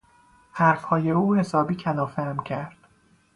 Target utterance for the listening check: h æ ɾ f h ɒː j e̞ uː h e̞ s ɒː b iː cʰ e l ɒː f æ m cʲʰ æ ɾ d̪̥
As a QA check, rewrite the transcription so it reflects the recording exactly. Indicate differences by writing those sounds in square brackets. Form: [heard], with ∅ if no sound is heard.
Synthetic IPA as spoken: h æ ɾ f h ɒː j e̞ uː h e̞ s ɒː b iː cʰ [æ] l ɒː f æ m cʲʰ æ ɾ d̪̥